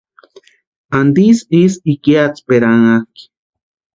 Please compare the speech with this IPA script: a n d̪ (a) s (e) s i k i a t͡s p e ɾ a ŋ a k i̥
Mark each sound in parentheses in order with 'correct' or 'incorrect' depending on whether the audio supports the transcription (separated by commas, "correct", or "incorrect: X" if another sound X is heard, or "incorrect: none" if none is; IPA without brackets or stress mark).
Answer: incorrect: i, incorrect: i